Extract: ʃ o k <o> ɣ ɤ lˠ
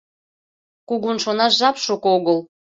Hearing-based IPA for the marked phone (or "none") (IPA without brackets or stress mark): o